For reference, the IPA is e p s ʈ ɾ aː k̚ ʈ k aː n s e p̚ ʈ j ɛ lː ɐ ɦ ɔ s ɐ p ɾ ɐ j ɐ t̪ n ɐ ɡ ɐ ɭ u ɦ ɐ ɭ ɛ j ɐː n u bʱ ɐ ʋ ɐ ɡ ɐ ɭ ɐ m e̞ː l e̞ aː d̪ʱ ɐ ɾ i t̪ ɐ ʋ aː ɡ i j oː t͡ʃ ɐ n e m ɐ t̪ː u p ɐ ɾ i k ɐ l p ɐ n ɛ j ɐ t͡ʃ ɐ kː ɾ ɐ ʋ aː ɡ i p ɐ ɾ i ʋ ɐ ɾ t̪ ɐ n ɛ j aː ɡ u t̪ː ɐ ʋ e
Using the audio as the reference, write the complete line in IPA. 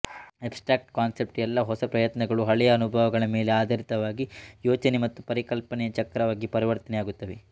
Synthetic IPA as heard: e p s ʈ ɾ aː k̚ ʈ k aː n s e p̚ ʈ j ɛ lː ɐ ɦ ɔ s ɐ p ɾ ɐ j ɐ t̪ n ɐ ɡ ɐ ɭ u ɦ ɐ ɭ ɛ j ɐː n u bʱ ɐ ʋ ɐ ɡ ɐ ɭ ɐ m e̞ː l e̞ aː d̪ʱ ɐ ɾ i t̪ ɐ ʋ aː ɡ i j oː t͡ʃ ɐ n e m ɐ t̪ː u p ɐ ɾ i k ɐ l p ɐ n ɛ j ɐ t͡ʃ ɐ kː ɾ ɐ ʋ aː ɡ i p ɐ ɾ i ʋ ɐ ɾ t̪ ɐ n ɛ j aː ɡ u t̪ː ɐ ʋ e

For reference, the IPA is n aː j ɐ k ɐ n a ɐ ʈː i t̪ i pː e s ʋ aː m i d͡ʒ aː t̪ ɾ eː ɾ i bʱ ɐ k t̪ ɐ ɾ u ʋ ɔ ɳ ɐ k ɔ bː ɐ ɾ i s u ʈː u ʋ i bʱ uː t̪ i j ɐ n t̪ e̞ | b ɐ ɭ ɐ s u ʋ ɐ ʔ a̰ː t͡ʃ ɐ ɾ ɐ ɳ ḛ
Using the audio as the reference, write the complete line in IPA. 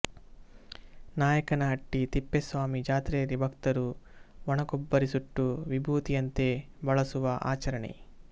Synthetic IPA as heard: n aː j ɐ k ɐ n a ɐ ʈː i t̪ i pː e s ʋ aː m i d͡ʒ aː t̪ ɾ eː ɾ i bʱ ɐ k t̪ ɐ ɾ u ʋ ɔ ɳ ɐ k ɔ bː ɐ ɾ i s u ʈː u ʋ i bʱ uː t̪ i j ɐ n t̪ e̞ | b ɐ ɭ ɐ s u ʋ ɐ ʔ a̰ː t͡ʃ ɐ ɾ ɐ ɳ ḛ

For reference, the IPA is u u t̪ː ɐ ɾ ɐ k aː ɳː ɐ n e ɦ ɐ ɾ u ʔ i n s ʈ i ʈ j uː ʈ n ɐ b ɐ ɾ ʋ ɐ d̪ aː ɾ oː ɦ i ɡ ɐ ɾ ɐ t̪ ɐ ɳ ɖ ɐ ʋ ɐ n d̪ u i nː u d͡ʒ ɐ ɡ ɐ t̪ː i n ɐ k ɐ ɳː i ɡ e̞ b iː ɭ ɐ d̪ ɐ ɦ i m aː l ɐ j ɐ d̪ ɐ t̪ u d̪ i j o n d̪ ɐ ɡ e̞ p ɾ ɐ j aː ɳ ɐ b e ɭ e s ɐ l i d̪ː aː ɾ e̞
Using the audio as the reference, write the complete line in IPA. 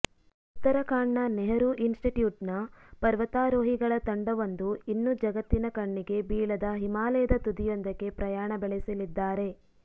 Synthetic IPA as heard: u u t̪ː ɐ ɾ ɐ k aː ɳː ɐ n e ɦ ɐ ɾ u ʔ i n s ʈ i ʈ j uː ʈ n ɐ p ɐ ɾ ʋ ɐ t̪ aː ɾ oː ɦ i ɡ ɐ ɭ ɐ t̪ ɐ ɳ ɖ ɐ ʋ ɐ n d̪ u i nː u d͡ʒ ɐ ɡ ɐ t̪ː i n ɐ k ɐ ɳː i ɡ e̞ b iː ɭ ɐ d̪ ɐ ɦ i m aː l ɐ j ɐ d̪ ɐ t̪ u d̪ i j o n d̪ ɐ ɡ e̞ p ɾ ɐ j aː ɳ ɐ b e ɭ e s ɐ l i d̪ː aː ɾ e̞

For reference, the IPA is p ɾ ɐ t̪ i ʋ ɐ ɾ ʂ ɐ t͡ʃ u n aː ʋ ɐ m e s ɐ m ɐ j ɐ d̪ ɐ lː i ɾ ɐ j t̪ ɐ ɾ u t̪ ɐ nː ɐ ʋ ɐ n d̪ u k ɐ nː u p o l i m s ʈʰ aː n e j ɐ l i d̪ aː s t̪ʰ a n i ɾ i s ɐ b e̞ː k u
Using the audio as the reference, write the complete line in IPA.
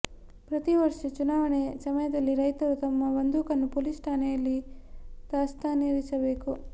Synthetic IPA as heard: p ɾ ɐ t̪ i ʋ ɐ ɾ ʂ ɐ t͡ʃ u n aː ʋ ɐ ɳ e s ɐ m ɐ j ɐ d̪ ɐ lː i ɾ ɐ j t̪ ɐ ɾ u t̪ ɐ mː ɐ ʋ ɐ n d̪ u k ɐ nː u p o l i s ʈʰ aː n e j ɐ lː i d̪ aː s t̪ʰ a n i ɾ i s ɐ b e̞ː k u

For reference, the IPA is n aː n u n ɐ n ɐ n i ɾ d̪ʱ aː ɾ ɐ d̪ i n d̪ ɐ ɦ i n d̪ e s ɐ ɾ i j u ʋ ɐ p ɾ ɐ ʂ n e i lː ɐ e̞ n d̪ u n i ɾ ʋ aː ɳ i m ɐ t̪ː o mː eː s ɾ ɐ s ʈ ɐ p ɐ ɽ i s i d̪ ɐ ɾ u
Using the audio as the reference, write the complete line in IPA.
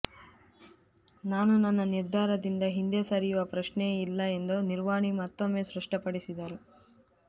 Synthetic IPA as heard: n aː n u n ɐ nː ɐ n i ɾ d̪ʱ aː ɾ ɐ d̪ i n d̪ ɐ ɦ i n d̪ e s ɐ ɾ i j u ʋ ɐ p ɾ ɐ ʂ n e i lː ɐ e̞ n d̪ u n i ɾ ʋ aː ɳ i m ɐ t̪ː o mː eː s ɾ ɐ ʂ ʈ ɐ p ɐ ɽ i s i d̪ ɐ ɾ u

